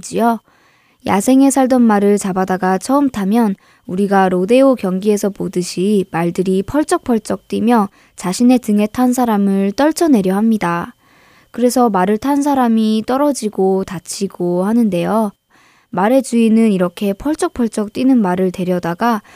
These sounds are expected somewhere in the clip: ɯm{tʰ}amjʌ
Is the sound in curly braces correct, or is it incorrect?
correct